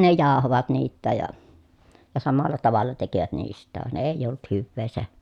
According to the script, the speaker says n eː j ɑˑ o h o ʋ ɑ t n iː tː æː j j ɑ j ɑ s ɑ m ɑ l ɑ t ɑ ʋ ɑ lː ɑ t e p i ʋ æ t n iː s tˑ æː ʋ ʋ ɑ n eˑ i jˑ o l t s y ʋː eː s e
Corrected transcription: n e j ɑˑ o h o ʋ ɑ t n iː tː æː j j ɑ j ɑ s ɑ m ɑ lː ɑ t ɑ ʋ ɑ lː ɑ t e k i ʋ æ t n iː s tˑ æː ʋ ʋ ɑ n eˑ i jˑ o l t h y ʋː eː s e